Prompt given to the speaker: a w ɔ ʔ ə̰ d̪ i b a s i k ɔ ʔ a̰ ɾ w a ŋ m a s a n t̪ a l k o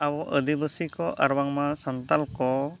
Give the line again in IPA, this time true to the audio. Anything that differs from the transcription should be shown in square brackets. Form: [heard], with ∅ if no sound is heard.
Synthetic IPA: a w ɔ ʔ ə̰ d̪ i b [ə] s i k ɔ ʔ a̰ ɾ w a ŋ m a s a n t̪ a l k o